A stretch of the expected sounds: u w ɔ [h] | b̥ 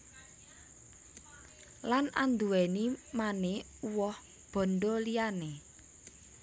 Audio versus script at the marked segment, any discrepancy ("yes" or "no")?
no